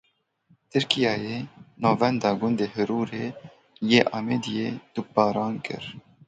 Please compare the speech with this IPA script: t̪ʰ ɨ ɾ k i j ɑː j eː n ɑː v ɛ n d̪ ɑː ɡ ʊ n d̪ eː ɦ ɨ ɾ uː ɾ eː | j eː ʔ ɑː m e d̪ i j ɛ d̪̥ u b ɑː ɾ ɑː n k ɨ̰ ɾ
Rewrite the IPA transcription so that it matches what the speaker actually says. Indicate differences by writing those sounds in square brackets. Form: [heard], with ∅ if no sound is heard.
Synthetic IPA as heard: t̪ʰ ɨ ɾ k i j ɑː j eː n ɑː v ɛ n d̪ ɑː ɡ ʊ n d̪ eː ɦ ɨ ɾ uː ɾ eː | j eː ʔ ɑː m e d̪ i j [e] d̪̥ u b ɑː ɾ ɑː n k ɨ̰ ɾ